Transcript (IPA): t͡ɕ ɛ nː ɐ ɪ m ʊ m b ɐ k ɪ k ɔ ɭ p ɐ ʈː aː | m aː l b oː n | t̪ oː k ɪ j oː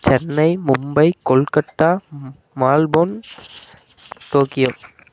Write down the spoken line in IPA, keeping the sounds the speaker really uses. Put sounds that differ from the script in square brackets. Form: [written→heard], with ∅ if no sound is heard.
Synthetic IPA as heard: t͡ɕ ɛ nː ɐ ɪ m ʊ m b ɐ [k→∅] ɪ k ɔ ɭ [p→k] ɐ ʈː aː | m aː l b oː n | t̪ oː k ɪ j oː